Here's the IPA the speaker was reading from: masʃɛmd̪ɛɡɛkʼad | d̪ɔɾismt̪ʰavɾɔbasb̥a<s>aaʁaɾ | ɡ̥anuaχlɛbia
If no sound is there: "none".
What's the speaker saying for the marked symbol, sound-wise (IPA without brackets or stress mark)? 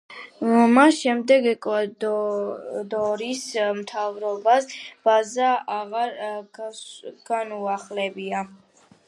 z